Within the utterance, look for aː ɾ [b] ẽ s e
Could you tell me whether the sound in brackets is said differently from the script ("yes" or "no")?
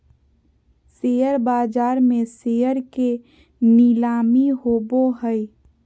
yes